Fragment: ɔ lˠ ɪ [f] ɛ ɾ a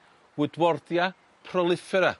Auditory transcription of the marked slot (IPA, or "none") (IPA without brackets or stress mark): f